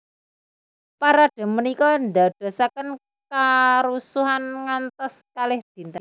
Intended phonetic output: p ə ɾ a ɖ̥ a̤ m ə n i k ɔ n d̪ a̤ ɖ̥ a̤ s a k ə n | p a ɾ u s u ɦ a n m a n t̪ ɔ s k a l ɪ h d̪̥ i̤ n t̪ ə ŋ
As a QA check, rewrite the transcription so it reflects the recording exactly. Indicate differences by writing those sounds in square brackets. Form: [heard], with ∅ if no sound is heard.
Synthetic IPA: p [a] ɾ a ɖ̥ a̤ m ə n i k ɔ n d̪ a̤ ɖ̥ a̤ s a k ə n | [k] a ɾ u s u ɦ a n [ŋ] a n t̪ ɔ s k a l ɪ h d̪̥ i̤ n t̪ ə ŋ

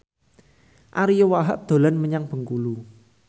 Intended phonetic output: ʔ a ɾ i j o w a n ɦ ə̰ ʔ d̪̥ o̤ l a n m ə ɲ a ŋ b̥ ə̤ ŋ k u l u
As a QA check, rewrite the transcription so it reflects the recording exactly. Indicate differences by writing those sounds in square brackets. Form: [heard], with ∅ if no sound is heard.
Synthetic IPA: ʔ a ɾ i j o w a [∅] ɦ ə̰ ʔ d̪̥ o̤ l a n m ə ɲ a ŋ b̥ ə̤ ŋ k u l u

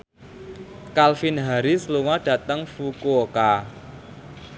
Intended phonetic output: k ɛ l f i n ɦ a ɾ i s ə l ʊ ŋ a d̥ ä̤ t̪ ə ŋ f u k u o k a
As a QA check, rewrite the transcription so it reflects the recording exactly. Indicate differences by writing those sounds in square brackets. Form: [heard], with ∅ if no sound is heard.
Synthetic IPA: k [a] l f i n ɦ a ɾ i s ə l [u] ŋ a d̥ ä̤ t̪ ə ŋ f u k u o k a

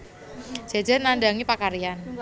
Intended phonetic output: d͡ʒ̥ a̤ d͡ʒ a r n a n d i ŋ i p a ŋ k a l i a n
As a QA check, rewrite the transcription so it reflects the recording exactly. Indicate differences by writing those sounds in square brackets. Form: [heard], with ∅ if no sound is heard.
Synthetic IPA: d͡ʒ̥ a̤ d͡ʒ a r n a n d [a] ŋ i p a [∅] k a [ɾ] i a n

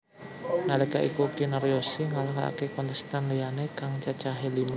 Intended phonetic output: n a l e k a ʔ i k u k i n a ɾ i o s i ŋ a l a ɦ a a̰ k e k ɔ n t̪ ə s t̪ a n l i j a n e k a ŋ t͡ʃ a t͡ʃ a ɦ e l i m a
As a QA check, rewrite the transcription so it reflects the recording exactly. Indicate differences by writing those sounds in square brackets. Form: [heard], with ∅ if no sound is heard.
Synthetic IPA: n a l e k a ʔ i k u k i n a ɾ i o s i ŋ a l a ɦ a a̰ k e k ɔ n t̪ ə s t̪ a n l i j a n e k a ŋ t͡ʃ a t͡ʃ a ɦ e l i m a

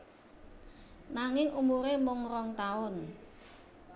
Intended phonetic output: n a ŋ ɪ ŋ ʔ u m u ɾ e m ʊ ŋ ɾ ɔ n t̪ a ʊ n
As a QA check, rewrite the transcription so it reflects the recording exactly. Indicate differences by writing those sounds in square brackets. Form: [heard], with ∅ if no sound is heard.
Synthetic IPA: n a ŋ ɪ ŋ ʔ u m u ɾ e m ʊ ŋ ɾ ɔ [ŋ] t̪ a ʊ n

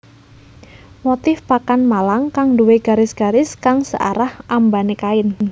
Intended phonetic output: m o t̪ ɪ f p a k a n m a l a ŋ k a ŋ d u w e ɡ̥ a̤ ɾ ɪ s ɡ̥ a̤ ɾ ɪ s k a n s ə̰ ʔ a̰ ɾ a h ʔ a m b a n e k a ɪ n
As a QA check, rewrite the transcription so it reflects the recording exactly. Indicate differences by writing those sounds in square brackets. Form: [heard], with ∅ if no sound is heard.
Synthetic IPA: m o t̪ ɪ f p a k a n m a l a ŋ k a ŋ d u w e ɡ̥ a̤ ɾ ɪ s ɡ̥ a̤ ɾ ɪ s k a [ŋ] s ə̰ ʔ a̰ ɾ a h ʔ a m b a n e k a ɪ n

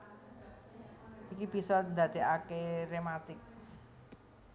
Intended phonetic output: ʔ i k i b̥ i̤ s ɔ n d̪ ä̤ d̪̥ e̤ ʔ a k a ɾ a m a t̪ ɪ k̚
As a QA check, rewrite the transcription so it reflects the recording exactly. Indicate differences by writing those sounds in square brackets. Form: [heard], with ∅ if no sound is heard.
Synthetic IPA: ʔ i k i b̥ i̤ s ɔ n d̪ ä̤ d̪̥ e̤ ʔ a k [e] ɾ [e] m a t̪ ɪ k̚

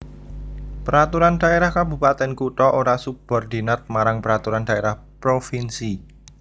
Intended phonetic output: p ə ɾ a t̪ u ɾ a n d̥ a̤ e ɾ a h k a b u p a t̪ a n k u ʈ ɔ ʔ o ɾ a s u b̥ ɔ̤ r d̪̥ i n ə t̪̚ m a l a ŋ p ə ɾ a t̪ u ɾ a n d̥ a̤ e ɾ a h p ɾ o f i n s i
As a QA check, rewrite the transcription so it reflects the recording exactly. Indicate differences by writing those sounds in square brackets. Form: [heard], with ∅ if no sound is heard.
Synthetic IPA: p ə ɾ a t̪ u ɾ a n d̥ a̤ e ɾ a h k a b u p a t̪ [ɛ] n k u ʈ ɔ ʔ o ɾ a s u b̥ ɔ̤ r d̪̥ i n ə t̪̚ m a [ɾ] a ŋ p ə ɾ a t̪ u ɾ a n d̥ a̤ e ɾ a h p ɾ o f i n s i

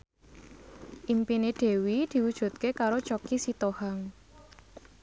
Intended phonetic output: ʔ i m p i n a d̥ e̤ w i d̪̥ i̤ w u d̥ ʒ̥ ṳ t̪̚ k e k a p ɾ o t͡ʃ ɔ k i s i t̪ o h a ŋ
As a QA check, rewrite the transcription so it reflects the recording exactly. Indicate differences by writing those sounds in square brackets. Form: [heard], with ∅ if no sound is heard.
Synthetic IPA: ʔ i m p i n [e] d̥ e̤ w i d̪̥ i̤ w u d̥ ʒ̥ ṳ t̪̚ k e k a [∅] ɾ o t͡ʃ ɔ k i s i t̪ o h a ŋ

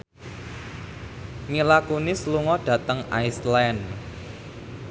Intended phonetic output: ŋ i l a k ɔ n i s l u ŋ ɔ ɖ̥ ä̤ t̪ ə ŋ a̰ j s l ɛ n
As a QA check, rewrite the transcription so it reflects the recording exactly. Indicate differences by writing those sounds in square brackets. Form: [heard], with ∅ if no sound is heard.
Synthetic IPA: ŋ i l a k [u] n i s l u ŋ ɔ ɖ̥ ä̤ t̪ ə ŋ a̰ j s l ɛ n

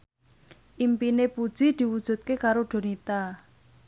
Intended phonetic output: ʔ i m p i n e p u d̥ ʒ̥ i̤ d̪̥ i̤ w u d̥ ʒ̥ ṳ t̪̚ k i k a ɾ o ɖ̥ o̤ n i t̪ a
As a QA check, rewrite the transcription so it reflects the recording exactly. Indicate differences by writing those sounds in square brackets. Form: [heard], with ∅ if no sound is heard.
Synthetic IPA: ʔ i m p i n e p u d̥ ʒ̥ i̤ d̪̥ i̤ w u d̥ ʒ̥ ṳ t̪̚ k [e] k a ɾ o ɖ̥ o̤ n i t̪ a

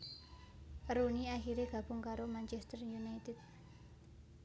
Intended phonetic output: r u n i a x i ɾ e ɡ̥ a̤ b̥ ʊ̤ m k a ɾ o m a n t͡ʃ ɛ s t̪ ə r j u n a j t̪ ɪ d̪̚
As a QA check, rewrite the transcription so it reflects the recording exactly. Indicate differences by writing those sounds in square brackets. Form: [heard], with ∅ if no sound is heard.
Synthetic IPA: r u n i a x i ɾ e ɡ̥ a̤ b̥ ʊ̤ [ŋ] k a ɾ o m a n t͡ʃ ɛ s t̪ ə r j u n a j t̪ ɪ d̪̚

